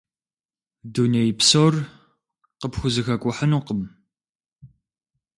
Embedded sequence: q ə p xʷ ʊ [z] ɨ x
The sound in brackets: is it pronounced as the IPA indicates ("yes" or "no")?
yes